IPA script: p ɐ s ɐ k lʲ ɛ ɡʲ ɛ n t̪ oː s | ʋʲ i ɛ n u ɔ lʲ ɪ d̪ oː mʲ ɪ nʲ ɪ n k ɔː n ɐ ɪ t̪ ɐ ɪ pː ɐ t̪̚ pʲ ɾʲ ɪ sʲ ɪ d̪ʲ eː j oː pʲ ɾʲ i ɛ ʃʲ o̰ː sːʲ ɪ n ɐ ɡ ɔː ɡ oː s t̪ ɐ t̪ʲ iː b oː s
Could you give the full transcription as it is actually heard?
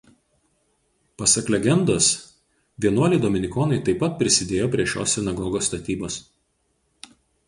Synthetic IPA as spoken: p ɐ s ɐ k lʲ ɛ ɡʲ ɛ n d̪ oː s | ʋʲ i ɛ n u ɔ lʲ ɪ d̪ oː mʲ ɪ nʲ ɪ k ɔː n ɐ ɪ t̪ ɐ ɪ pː ɐ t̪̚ pʲ ɾʲ ɪ sʲ ɪ d̪ʲ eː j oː pʲ ɾʲ i ɛ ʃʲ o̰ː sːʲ ɪ n ɐ ɡ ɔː ɡ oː s t̪ ɐ t̪ʲ iː b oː s